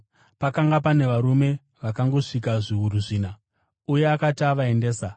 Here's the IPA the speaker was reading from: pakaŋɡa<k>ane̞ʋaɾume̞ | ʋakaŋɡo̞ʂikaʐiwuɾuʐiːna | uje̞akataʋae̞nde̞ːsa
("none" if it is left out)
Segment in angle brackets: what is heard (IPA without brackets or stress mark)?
p